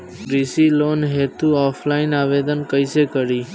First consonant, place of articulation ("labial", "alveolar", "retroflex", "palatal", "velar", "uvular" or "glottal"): alveolar